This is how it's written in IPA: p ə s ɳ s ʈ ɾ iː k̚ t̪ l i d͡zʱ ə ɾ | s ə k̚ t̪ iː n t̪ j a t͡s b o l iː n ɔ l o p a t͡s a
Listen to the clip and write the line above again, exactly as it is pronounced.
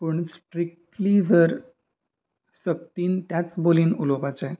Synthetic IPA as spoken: p ə ɳ s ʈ ɾ i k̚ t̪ l i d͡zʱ ə ɾ | s ə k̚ t̪ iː n t̪ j a t͡s b o l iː n u l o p a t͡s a